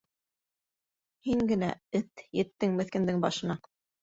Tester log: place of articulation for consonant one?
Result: glottal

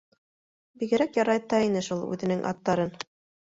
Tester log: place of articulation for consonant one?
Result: labial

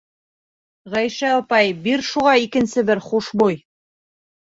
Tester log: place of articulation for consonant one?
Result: uvular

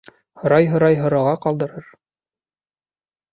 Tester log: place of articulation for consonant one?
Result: glottal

